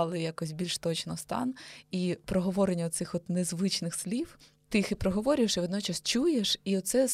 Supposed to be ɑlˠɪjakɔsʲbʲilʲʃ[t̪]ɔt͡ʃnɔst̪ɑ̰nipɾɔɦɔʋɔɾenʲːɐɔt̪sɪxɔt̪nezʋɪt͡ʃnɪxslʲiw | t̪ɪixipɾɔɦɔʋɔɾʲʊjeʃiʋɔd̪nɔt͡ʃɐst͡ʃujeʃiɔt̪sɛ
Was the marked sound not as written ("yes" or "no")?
no